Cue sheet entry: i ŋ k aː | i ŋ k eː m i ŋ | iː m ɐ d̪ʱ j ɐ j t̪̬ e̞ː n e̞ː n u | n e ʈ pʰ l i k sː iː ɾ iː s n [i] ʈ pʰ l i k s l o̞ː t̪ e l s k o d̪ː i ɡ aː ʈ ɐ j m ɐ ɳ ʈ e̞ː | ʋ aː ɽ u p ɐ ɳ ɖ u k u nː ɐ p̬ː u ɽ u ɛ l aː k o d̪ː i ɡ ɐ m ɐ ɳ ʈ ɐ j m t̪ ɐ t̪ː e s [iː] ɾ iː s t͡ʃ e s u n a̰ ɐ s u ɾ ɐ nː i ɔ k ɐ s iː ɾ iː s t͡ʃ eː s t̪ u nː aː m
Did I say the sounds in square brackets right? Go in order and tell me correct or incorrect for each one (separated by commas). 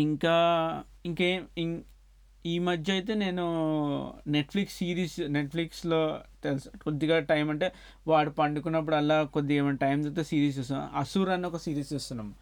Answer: incorrect, correct